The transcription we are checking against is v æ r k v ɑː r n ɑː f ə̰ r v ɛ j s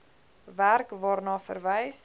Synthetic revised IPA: v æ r k v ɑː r n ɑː f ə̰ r v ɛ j s